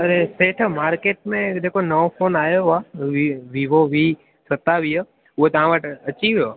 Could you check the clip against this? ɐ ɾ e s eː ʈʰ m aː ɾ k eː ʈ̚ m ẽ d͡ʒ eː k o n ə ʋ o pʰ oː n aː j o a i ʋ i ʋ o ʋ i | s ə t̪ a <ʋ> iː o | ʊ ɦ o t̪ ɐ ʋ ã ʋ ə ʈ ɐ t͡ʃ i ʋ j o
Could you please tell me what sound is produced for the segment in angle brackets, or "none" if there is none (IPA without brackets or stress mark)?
ʋ